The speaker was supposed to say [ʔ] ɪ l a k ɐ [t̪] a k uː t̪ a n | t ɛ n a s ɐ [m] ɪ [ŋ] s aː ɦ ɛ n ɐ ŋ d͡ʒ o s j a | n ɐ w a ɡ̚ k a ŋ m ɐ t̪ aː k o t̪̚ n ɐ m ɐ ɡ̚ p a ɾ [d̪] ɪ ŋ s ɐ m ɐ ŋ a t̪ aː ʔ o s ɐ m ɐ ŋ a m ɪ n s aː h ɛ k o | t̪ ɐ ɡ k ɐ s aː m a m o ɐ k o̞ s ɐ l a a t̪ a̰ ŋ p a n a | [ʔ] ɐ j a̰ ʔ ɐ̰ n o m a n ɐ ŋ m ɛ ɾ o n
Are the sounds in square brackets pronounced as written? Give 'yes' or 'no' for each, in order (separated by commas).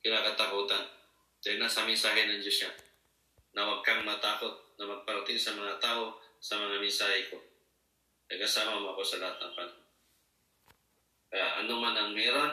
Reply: no, yes, yes, no, no, no